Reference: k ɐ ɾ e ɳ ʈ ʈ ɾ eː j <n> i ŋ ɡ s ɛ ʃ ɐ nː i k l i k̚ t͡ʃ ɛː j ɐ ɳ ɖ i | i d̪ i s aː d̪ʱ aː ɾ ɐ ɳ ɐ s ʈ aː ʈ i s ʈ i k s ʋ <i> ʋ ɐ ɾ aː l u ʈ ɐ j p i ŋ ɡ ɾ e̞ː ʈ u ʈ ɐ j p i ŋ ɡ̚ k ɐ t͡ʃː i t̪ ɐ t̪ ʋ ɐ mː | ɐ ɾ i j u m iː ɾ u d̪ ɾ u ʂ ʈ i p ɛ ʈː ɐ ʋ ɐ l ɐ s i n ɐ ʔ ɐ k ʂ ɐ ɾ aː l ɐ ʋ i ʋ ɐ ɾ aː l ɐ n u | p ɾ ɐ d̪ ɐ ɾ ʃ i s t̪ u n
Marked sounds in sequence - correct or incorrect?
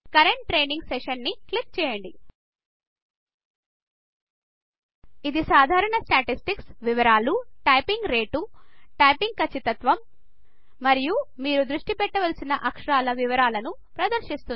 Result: correct, correct

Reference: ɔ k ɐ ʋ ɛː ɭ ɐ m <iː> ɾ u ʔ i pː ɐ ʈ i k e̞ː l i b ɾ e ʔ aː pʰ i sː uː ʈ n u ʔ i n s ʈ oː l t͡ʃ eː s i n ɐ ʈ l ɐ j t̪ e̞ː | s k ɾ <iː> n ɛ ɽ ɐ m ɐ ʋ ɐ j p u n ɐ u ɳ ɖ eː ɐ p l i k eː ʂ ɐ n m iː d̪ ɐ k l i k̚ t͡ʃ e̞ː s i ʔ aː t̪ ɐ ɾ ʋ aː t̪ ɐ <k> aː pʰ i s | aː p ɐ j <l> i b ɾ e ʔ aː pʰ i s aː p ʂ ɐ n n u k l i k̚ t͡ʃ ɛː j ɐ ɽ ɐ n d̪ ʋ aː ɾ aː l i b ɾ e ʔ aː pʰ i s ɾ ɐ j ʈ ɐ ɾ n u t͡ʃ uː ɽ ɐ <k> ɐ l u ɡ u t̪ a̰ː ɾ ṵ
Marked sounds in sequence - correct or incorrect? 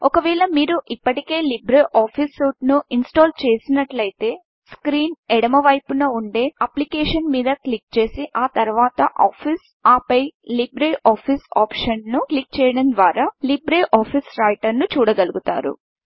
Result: correct, correct, incorrect: ʔ, correct, incorrect: ɡ

